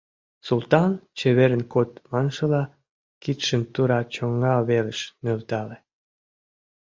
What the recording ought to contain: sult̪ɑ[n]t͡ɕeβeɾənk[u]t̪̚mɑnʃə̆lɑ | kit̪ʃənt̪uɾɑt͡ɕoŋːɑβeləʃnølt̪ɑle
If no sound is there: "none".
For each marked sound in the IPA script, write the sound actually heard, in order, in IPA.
n, o

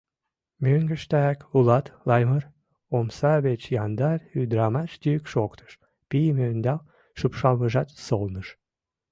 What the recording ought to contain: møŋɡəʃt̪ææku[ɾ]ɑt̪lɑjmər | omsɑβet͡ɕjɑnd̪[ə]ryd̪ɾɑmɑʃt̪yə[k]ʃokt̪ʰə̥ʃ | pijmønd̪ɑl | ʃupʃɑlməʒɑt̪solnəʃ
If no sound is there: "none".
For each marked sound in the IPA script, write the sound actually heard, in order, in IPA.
l, ɑ, k

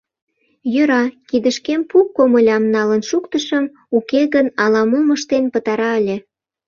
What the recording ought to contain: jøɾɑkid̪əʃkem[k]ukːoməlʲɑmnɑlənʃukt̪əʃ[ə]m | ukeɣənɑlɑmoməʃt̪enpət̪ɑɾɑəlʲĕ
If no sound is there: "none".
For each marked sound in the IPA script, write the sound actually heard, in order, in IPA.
p, ə

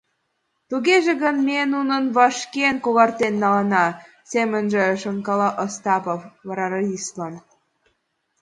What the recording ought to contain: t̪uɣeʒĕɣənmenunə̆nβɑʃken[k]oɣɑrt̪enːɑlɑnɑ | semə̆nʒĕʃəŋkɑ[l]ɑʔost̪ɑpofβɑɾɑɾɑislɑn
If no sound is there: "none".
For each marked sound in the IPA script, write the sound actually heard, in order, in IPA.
k, l

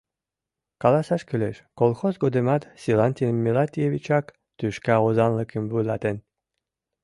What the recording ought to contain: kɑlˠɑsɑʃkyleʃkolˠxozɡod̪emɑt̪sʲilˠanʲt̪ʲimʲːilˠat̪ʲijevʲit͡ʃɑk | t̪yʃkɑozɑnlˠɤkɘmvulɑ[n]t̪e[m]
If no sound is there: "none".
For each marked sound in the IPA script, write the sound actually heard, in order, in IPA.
none, n

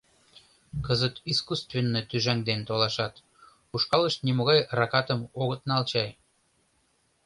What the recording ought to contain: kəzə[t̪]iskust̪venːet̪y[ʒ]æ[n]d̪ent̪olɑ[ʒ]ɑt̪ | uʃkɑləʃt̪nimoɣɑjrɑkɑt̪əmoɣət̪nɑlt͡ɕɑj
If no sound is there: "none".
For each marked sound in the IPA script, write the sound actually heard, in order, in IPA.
t̪, ʒ, ŋ, ʃ

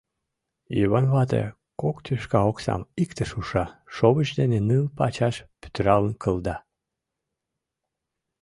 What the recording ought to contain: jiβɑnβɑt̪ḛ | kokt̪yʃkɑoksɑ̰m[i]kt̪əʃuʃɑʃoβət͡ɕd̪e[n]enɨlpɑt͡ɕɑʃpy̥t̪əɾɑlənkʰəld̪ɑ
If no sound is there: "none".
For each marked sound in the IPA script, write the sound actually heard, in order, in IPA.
i, n

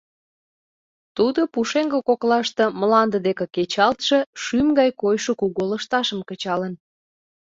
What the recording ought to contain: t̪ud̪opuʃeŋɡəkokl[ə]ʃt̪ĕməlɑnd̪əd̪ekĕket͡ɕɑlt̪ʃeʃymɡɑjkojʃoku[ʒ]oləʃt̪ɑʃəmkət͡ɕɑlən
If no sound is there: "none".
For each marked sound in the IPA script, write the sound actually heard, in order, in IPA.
ɑ, ɣ

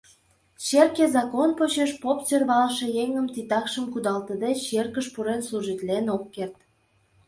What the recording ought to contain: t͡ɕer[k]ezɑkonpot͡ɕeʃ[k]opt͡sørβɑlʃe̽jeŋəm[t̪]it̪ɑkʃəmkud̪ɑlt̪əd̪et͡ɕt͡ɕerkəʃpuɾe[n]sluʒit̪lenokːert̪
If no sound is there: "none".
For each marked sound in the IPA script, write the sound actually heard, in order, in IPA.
k, p, t̪, n

